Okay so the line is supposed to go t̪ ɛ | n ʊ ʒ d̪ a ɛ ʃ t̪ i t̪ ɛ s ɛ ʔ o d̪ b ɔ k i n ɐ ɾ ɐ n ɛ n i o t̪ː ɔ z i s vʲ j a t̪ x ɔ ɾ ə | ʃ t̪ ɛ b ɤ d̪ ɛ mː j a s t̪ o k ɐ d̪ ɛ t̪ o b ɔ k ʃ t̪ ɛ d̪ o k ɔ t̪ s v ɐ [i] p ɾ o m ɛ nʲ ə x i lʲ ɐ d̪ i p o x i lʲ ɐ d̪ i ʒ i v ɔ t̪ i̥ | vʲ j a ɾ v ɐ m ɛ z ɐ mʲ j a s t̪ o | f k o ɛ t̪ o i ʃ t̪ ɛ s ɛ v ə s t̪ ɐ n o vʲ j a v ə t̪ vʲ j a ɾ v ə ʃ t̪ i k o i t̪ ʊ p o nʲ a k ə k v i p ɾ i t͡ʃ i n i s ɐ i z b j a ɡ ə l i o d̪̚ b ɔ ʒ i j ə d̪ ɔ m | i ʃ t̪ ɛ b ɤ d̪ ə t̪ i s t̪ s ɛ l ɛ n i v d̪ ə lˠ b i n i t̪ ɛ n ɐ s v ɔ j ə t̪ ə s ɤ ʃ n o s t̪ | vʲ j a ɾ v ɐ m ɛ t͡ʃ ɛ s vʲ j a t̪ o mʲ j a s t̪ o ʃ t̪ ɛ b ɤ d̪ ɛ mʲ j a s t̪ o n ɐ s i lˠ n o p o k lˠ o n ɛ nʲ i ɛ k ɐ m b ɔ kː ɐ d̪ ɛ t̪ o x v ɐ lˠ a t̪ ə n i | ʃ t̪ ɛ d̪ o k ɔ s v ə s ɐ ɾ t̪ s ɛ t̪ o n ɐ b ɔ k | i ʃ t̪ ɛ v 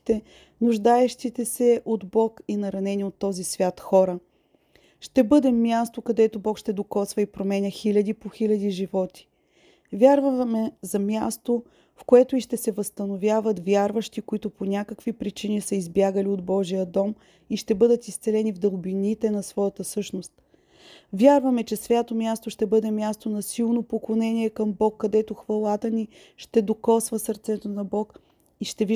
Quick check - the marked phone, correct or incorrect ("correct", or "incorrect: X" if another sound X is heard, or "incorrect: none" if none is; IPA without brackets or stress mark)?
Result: correct